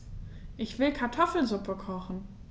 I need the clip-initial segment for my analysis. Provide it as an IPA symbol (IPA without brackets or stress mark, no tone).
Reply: ʔ